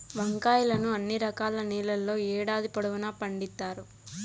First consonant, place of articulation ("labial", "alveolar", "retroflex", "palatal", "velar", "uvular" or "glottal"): labial